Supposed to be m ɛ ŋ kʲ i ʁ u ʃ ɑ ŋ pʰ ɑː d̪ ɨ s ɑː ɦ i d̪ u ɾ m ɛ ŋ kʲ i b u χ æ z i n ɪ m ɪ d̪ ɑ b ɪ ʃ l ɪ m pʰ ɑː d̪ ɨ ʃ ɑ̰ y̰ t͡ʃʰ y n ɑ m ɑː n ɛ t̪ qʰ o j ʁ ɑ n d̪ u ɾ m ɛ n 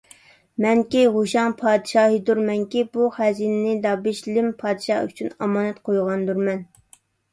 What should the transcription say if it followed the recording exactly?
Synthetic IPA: m ɛ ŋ kʲ i ʁ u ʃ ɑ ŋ pʰ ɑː d̪ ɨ ʃ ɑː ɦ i d̪ u ɾ m ɛ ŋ kʲ i b u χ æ z i n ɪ n ɪ d̪ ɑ b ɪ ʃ l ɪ m pʰ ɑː d̪ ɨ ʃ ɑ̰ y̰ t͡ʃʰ y n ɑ m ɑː n ɛ t̪ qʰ o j ʁ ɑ n d̪ u ɾ m ɛ n